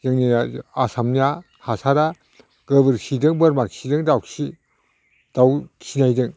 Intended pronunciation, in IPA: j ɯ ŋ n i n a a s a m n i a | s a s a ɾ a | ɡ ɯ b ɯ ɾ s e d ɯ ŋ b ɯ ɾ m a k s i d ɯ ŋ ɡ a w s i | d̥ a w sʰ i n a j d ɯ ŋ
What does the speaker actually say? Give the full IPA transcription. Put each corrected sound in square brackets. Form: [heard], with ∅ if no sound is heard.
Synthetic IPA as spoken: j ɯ ŋ n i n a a s a m n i a | [h] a s a ɾ a | ɡ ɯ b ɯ ɾ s [i] d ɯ ŋ b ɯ ɾ m a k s i d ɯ ŋ [d] a w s i | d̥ a w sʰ i n a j d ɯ ŋ